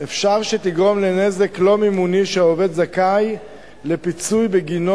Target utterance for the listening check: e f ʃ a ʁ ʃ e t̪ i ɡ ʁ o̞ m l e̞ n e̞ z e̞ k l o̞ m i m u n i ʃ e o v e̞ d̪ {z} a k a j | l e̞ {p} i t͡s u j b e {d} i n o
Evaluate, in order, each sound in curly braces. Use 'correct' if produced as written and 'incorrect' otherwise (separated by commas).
correct, correct, incorrect